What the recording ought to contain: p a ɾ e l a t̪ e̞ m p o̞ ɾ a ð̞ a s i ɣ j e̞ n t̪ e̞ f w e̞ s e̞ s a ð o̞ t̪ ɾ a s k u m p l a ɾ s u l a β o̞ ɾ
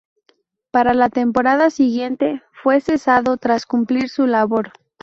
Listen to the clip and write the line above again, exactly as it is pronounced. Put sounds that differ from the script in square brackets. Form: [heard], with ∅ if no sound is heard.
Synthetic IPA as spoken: p a ɾ [a] l a t̪ e̞ m p o̞ ɾ a ð̞ a s i ɣ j e̞ n t̪ e̞ f w e̞ s e̞ s a ð o̞ t̪ ɾ a s k u m p l [i] ɾ s u l a β o̞ ɾ